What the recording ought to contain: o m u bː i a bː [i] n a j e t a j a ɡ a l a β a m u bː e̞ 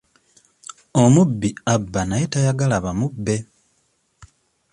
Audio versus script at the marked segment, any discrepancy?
yes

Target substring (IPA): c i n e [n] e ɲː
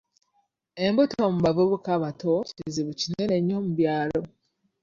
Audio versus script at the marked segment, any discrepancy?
no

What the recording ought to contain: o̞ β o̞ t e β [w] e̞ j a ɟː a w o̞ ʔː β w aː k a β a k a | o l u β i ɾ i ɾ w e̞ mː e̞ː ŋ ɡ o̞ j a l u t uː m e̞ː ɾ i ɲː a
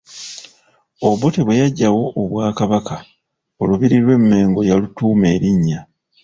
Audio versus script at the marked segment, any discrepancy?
no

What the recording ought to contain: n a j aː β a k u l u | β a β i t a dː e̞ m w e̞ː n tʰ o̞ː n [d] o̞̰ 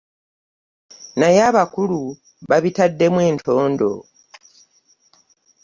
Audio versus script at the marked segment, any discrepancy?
no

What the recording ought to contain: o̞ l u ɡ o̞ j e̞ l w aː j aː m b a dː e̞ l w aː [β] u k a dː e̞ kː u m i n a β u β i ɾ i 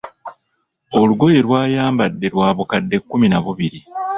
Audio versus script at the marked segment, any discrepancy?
no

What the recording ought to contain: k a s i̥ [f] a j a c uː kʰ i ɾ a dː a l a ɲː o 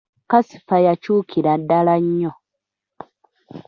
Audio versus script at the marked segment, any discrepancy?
no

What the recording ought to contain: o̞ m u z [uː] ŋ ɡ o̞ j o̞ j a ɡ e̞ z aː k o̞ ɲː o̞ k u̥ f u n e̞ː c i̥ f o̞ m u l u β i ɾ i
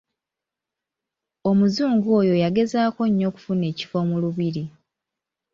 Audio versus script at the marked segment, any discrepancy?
no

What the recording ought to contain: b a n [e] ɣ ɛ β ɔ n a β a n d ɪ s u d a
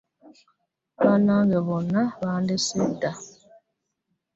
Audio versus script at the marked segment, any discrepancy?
yes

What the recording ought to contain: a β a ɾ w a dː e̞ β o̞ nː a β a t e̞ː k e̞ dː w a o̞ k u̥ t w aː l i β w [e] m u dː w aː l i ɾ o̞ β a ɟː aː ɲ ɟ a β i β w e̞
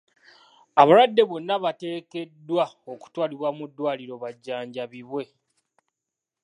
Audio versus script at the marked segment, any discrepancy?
yes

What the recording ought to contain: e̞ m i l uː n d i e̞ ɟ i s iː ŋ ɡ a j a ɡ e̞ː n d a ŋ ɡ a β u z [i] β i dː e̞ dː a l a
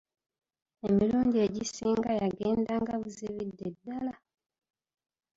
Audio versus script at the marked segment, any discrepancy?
no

